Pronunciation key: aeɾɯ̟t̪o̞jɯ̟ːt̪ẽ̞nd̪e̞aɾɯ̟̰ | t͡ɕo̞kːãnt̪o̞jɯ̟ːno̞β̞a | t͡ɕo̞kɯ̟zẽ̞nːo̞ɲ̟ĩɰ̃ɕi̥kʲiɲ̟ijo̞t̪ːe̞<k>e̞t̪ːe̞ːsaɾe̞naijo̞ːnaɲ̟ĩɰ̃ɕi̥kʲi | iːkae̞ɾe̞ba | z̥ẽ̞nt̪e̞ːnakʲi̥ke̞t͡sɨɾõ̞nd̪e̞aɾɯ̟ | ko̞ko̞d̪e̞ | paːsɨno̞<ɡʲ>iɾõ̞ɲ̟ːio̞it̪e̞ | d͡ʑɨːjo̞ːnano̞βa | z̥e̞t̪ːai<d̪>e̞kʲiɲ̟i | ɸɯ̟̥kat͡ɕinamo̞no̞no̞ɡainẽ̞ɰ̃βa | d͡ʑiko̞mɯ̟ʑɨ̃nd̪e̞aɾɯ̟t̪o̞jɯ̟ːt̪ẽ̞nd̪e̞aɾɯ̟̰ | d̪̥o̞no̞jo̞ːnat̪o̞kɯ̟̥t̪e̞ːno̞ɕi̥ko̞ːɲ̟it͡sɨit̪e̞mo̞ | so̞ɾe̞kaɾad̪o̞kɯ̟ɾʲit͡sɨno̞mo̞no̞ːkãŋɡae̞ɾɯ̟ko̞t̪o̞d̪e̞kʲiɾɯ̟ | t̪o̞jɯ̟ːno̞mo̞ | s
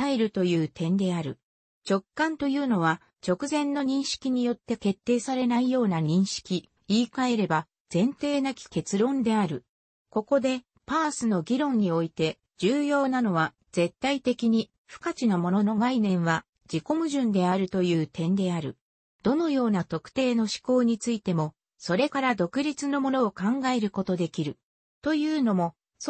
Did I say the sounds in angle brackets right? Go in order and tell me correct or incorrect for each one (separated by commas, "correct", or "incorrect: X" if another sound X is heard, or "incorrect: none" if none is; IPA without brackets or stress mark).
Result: correct, correct, incorrect: t̪